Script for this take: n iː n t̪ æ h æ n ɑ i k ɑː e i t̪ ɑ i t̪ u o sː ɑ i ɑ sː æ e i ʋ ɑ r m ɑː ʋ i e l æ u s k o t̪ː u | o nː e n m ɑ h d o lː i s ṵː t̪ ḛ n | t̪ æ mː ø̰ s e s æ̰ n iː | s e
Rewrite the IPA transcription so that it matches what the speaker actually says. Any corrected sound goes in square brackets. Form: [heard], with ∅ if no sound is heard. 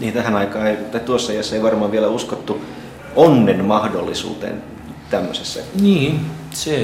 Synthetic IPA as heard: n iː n t̪ æ h æ n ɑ i k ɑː e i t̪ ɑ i t̪ u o sː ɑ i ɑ sː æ e i ʋ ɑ r m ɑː ʋ i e l æ u s k o t̪ː u | o nː e n m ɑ h d o lː i s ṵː t̪ ḛ n | t̪ æ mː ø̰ s e [sː] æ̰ n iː | s e